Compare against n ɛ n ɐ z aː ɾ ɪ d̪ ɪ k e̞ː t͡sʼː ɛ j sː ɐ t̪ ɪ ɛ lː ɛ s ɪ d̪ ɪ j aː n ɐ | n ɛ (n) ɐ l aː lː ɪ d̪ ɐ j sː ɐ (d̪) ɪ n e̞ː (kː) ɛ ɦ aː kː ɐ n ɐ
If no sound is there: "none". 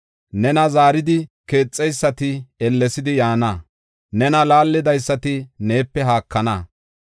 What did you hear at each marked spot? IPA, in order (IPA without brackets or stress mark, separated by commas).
n, t̪, pː